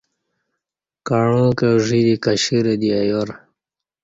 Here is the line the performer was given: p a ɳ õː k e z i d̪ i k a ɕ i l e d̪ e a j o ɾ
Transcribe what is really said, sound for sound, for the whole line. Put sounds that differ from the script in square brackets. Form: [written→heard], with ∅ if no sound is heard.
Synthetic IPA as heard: [p→k] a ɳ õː k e [z→ʐ] i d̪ i k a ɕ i [l→ɾ] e d̪ [e→i] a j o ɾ